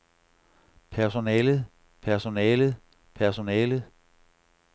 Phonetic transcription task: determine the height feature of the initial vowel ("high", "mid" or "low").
low